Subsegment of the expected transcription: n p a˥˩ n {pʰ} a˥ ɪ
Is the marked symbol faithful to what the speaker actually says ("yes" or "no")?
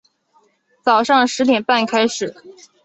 no